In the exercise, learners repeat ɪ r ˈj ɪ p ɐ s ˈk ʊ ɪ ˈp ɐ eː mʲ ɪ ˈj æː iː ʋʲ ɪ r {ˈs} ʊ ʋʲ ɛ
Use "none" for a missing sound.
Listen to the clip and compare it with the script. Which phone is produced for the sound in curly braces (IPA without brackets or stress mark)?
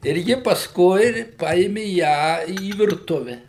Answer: t